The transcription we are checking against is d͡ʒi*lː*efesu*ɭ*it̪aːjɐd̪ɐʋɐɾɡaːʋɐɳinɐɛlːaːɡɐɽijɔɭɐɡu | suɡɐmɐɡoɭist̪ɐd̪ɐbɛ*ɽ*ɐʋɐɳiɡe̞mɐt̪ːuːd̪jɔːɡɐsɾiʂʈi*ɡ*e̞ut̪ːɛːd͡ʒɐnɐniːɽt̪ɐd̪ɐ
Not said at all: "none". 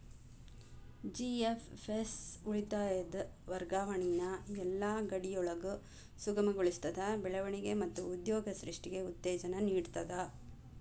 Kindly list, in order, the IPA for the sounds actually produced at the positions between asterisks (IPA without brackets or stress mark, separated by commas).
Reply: none, ɭ, ɭ, ɡ